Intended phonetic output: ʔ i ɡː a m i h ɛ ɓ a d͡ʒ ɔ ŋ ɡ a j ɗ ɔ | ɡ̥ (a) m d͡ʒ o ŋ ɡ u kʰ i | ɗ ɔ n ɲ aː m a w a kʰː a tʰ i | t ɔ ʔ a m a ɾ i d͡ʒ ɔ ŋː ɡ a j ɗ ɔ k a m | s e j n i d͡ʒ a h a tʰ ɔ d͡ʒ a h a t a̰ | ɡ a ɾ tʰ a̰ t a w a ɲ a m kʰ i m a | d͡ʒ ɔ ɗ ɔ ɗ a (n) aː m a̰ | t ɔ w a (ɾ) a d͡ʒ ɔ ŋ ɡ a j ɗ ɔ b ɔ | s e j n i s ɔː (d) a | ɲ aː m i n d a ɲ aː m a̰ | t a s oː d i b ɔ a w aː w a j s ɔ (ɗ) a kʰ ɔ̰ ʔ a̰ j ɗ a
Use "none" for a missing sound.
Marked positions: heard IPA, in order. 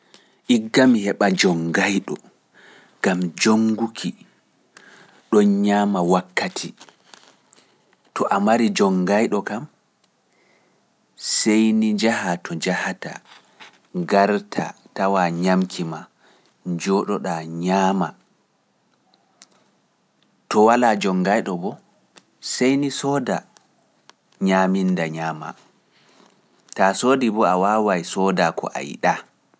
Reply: a, ɲ, l, d, d

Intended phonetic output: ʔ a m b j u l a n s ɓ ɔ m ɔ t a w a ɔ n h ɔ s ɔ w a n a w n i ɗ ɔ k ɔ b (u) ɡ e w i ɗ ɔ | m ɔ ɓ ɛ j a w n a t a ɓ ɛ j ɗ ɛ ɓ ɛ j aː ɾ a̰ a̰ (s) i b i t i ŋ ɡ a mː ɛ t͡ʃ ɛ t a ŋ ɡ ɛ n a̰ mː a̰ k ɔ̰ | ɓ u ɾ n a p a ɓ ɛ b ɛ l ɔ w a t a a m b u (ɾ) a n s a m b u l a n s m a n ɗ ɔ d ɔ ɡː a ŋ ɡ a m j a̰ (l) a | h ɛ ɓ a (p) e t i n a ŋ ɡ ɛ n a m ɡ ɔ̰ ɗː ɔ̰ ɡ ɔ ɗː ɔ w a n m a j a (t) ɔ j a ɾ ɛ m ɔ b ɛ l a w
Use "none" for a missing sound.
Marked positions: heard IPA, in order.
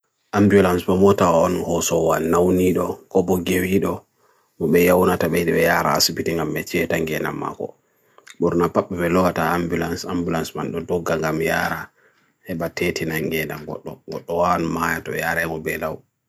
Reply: ɔ, s, l, ɾ, t, t

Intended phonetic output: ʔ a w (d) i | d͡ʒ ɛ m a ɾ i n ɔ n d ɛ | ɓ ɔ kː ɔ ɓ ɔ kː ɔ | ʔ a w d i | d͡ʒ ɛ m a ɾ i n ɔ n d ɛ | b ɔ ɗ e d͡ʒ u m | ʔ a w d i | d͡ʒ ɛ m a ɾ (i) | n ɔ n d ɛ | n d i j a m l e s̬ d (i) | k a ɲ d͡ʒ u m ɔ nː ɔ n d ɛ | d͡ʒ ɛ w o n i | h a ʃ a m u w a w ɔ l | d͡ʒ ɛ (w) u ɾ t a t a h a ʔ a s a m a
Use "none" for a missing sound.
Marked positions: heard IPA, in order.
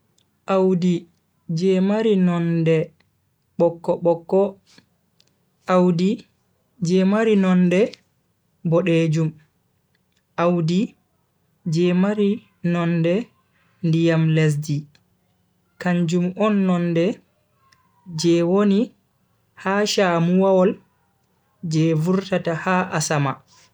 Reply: d, i, i, v

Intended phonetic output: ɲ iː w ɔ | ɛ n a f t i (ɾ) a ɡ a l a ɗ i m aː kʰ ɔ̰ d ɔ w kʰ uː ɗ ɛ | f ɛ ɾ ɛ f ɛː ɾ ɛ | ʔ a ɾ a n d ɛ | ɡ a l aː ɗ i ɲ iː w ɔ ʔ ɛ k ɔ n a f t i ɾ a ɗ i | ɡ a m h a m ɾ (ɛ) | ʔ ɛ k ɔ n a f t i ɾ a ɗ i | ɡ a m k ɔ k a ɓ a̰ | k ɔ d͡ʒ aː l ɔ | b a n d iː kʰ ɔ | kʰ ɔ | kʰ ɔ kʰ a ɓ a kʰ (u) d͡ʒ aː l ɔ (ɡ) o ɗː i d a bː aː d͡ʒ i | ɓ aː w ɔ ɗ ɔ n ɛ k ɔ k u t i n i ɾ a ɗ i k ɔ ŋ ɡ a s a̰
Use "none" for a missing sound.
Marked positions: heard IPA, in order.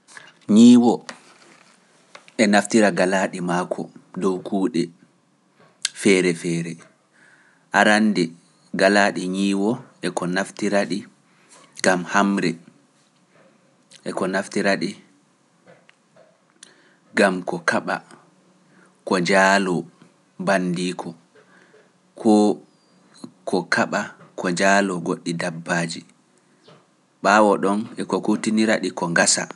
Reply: ɾ, ɛ, ɔ, ɡ

